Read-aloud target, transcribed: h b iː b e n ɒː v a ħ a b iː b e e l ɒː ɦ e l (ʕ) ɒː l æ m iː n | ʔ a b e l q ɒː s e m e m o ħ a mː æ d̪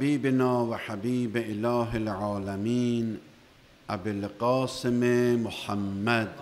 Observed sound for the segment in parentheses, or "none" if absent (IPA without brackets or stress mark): ʕ